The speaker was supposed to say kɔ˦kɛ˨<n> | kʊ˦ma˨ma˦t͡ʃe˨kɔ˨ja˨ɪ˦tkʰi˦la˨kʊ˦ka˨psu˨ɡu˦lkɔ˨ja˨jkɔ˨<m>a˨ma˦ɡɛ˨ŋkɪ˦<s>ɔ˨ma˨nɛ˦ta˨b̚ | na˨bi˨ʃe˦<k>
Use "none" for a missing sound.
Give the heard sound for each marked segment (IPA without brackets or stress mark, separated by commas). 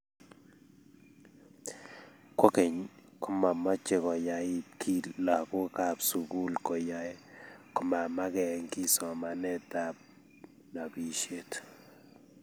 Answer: ɲ, m, s, t